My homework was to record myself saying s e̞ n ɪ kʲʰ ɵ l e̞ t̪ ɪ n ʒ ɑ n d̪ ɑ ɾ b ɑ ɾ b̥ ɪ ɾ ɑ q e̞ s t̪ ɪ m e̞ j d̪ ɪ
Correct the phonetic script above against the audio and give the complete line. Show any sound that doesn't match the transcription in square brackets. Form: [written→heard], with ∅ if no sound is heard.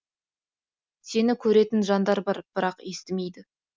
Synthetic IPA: s e̞ n ɪ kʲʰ ɵ [l→ɾ] e̞ t̪ ɪ n ʒ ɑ n d̪ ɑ ɾ b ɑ ɾ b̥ ɪ ɾ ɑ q e̞ s t̪ ɪ m e̞ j d̪ ɪ

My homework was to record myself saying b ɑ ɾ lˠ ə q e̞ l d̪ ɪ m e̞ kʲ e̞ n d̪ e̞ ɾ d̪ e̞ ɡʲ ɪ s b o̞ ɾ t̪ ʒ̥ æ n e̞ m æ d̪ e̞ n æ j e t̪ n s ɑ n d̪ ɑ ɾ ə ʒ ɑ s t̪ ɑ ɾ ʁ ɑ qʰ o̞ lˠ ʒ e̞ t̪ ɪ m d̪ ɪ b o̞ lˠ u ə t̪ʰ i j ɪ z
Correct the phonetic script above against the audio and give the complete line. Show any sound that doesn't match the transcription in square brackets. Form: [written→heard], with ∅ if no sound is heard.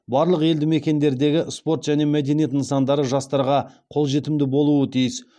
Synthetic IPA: b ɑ ɾ lˠ ə q e̞ l d̪ ɪ m e̞ kʲ e̞ n d̪ e̞ ɾ d̪ e̞ ɡʲ ɪ s [b→p] o̞ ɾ t̪ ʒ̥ æ n e̞ m æ d̪ e̞ n [æ→i] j e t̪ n s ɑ n d̪ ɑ ɾ ə ʒ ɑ s t̪ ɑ ɾ ʁ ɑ qʰ o̞ lˠ ʒ e̞ t̪ ɪ m d̪ ɪ b o̞ lˠ u ə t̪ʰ i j ɪ [z→s]

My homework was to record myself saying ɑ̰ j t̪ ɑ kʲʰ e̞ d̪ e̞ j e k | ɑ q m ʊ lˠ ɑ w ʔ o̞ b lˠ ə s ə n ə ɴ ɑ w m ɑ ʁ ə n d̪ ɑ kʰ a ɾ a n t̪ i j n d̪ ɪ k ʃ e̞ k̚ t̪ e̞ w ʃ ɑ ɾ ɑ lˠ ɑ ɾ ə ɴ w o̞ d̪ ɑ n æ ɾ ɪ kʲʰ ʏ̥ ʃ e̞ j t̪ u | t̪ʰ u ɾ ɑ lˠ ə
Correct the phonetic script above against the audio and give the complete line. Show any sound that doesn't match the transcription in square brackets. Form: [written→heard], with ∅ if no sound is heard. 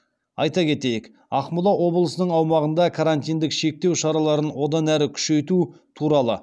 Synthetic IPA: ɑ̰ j t̪ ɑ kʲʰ e̞ [d̪→t̪] e̞ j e k | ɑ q m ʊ lˠ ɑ w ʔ o̞ b lˠ ə s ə n ə ɴ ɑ w m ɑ ʁ ə n d̪ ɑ kʰ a ɾ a n t̪ i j n d̪ ɪ k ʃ e̞ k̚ t̪ e̞ w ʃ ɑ ɾ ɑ lˠ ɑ ɾ ə [ɴ→n] w o̞ d̪ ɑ n æ ɾ ɪ kʲʰ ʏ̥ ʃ e̞ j t̪ u | t̪ʰ u ɾ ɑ lˠ ə

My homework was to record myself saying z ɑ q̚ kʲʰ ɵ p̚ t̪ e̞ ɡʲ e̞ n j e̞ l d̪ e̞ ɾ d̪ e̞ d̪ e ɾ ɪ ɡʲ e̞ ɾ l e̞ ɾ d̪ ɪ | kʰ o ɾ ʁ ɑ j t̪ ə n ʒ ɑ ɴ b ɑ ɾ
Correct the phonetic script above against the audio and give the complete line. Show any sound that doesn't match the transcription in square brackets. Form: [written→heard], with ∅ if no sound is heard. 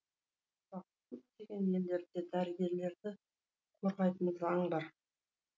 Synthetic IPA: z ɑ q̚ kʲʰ ɵ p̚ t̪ e̞ ɡʲ e̞ n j e̞ l d̪ e̞ ɾ d̪ e̞ d̪ [e→æ] ɾ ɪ ɡʲ e̞ ɾ l e̞ ɾ d̪ ɪ | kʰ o ɾ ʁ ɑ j t̪ ə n [ʒ→z] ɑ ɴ b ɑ ɾ

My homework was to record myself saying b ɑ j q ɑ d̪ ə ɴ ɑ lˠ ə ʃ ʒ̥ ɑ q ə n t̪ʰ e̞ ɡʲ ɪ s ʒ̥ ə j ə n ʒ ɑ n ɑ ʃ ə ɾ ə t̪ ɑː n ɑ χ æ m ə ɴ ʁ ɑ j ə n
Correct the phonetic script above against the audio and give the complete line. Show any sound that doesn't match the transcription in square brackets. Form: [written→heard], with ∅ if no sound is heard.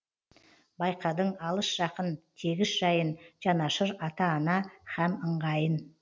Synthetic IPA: b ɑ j q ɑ d̪ ə ɴ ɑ lˠ ə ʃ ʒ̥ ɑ q ə n t̪ʰ e̞ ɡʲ ɪ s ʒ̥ [ə→ɑ] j ə n ʒ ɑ n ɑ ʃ ə ɾ [ə→ɑ] t̪ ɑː n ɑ χ æ m ə ɴ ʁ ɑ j ə n

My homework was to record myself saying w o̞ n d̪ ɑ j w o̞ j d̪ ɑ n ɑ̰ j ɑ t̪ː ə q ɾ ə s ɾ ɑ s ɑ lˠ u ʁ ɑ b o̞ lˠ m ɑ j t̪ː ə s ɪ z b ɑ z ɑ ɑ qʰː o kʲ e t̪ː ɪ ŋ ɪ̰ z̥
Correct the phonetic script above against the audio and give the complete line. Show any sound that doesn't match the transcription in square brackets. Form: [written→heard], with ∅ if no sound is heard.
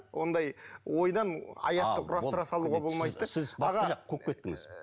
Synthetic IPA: w o̞ n d̪ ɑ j w o̞ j d̪ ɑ n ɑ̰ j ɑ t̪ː ə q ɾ [ə→ɑ] s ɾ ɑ s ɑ lˠ u ʁ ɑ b o̞ lˠ m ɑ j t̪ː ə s ɪ z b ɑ [z→ʁ] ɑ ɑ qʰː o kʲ e t̪ː ɪ ŋ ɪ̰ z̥

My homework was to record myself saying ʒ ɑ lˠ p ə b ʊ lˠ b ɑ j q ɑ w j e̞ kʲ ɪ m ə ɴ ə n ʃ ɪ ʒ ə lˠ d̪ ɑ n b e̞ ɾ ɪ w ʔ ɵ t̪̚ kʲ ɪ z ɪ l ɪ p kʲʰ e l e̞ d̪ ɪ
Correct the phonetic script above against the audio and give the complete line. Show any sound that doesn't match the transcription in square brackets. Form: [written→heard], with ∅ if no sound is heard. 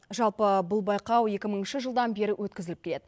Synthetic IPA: ʒ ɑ lˠ p ə b ʊ lˠ b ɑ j q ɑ w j e̞ kʲ ɪ m ə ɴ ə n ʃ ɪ ʒ ə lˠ d̪ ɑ n b e̞ ɾ ɪ w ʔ ɵ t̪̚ kʲ ɪ z ɪ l ɪ p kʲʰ e l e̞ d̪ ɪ

